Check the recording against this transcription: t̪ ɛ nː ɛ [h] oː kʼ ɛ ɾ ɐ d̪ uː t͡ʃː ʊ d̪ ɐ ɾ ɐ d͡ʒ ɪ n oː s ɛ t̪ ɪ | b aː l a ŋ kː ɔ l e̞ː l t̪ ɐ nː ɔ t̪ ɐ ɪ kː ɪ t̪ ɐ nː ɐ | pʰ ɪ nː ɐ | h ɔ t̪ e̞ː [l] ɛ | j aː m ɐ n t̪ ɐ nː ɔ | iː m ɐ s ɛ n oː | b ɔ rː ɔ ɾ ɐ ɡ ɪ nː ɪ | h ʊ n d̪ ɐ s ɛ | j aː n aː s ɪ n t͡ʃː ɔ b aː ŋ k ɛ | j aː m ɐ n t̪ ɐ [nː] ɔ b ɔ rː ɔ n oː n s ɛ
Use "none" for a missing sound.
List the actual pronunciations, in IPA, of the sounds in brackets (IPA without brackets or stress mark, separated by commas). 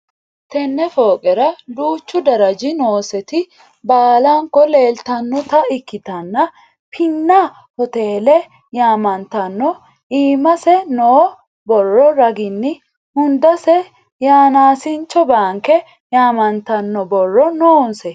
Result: f, l, nː